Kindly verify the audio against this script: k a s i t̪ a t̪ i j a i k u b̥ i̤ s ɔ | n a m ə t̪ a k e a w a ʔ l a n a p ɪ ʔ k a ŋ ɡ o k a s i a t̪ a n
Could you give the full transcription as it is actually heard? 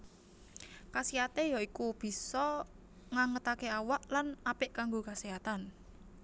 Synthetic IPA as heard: k a s i a t̪ e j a i k u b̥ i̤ s ɔ | ŋ a ŋ ə t̪ a k e a w a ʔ l a n a p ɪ ʔ k a ŋ ɡ o k a s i a t̪ a n